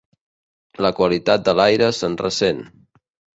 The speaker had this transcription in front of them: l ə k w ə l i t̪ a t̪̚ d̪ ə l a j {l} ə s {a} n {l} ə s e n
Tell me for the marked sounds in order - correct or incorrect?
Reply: incorrect, incorrect, incorrect

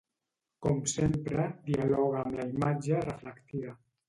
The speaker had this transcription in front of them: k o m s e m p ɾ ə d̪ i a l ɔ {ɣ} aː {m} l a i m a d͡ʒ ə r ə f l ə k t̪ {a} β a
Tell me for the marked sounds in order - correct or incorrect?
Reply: correct, correct, incorrect

